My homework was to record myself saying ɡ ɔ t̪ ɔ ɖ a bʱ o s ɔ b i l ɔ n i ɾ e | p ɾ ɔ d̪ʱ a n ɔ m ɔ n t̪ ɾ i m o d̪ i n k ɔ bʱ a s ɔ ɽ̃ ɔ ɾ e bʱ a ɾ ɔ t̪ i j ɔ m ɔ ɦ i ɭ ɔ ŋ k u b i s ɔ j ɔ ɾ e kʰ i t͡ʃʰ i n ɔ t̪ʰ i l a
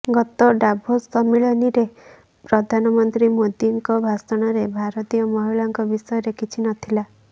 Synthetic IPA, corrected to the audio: ɡ ɔ t̪ ɔ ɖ a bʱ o s ɔ m i ɭ ɔ n i ɾ e | p ɾ ɔ d̪ʱ a n ɔ m ɔ n t̪ ɾ i m o d̪ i ŋ k ɔ bʱ a s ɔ ɽ̃ ɔ ɾ e bʱ a ɾ ɔ t̪ i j ɔ m ɔ ɦ i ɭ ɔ ŋ k ɔ b i s ɔ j ɔ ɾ e kʰ i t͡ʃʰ i n ɔ t̪ʰ i l a